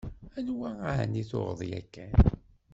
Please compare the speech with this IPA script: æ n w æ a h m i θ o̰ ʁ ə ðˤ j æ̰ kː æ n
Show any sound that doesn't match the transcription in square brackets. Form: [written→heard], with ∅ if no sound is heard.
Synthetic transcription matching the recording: æ n w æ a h [m→n] i θ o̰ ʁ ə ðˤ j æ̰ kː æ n